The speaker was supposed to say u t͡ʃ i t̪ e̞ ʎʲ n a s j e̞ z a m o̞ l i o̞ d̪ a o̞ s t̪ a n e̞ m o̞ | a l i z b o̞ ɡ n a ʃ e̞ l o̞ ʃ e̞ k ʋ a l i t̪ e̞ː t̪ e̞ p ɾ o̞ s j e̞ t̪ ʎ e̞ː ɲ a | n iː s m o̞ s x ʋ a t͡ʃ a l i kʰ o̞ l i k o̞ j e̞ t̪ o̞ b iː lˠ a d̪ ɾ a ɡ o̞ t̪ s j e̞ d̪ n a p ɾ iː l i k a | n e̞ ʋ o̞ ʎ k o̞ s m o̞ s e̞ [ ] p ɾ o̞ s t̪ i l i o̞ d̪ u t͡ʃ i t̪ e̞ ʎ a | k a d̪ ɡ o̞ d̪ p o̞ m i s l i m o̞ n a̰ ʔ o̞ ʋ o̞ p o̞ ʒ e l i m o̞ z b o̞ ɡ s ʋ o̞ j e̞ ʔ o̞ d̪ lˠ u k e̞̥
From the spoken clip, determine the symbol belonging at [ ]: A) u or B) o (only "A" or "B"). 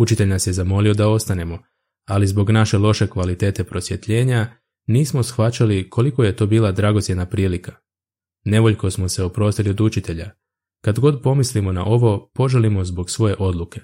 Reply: B